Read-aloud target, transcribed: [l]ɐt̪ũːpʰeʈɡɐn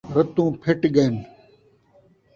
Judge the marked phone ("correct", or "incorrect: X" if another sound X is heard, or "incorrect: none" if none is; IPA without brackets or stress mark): incorrect: ɾ